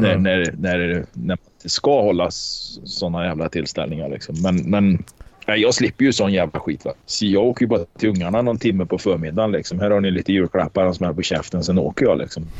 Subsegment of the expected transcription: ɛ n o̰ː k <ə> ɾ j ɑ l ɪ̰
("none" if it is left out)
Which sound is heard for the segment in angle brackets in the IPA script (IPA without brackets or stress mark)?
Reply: ə